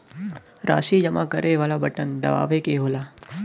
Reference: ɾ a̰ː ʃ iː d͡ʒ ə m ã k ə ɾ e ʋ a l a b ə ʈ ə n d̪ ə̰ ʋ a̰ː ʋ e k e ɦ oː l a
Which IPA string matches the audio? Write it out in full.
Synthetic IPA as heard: ɾ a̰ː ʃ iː d͡ʒ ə m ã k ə ɾ e ʋ a l a b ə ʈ ə n d̪ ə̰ ʋ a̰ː ʋ e k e ɦ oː l a